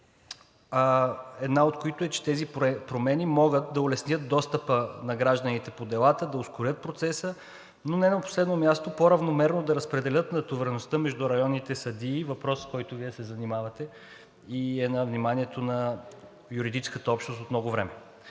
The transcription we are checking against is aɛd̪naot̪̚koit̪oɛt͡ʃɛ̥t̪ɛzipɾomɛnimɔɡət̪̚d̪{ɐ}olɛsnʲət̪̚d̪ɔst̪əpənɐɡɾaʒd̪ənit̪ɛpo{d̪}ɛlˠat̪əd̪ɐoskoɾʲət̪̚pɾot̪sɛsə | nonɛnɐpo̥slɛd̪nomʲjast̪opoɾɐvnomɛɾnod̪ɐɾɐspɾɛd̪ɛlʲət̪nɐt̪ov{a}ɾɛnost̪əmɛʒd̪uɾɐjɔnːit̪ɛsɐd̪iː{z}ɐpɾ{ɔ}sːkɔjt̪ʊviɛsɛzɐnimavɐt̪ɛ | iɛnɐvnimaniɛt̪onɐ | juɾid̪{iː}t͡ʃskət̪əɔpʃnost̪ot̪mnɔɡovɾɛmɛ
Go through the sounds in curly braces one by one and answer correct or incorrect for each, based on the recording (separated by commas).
correct, correct, incorrect, incorrect, correct, incorrect